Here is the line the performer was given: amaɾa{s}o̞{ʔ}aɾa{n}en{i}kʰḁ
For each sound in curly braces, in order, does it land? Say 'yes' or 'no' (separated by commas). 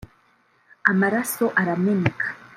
yes, yes, no, no